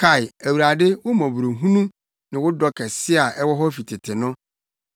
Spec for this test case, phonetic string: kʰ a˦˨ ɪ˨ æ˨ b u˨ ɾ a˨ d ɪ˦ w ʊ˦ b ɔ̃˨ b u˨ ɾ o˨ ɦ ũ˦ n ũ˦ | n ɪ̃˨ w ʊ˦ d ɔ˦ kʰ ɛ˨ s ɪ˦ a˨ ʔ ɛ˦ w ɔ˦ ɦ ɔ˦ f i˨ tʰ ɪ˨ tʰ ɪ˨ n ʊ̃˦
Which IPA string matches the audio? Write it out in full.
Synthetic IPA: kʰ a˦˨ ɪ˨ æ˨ w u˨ ɾ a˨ d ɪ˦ w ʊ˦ m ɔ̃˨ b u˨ ɾ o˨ ɦ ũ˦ n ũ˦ | n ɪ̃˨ w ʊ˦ d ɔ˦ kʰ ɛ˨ s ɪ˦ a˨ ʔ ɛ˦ w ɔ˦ ɦ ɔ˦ f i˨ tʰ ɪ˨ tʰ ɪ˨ n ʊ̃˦